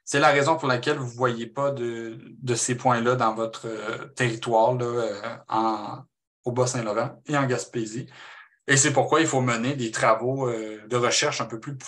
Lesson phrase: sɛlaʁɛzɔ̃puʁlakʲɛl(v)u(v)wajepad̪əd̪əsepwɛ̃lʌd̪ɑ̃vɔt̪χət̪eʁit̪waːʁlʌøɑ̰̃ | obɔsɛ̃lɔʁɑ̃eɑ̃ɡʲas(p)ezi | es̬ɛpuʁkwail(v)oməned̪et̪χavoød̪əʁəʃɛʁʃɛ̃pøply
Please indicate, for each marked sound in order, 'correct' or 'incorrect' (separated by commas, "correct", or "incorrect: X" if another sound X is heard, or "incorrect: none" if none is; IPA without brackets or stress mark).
correct, correct, correct, incorrect: f